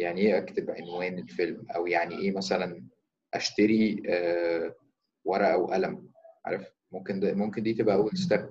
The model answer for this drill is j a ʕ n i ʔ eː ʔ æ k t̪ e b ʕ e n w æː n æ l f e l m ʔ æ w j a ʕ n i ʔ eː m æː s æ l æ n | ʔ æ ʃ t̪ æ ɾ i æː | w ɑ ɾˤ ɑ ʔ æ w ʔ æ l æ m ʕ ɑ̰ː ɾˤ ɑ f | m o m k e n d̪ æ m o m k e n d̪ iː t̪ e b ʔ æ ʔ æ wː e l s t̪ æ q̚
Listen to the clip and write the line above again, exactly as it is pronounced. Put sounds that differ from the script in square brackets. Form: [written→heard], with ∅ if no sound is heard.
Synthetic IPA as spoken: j a ʕ n i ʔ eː ʔ æ k t̪ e b ʕ e n w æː n [æ→e] l f e l m ʔ æ w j a ʕ n i ʔ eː m [æː→æ] s æ l æ n | ʔ æ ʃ t̪ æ ɾ i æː | w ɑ ɾˤ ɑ ʔ æ w ʔ æ l æ m ʕ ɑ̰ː ɾˤ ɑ f | m o m k e n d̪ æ m o m k e n d̪ iː t̪ e b ʔ æ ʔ æ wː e l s t̪ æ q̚